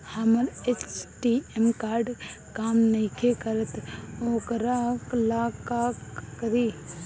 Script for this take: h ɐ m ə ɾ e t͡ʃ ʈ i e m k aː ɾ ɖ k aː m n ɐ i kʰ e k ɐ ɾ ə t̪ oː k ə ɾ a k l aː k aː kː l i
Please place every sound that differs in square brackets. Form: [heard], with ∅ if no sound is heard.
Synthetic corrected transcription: h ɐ m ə ɾ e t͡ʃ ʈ i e m k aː ɾ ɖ k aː m n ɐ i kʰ e k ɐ ɾ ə t̪ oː k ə ɾ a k l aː k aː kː [ɾ] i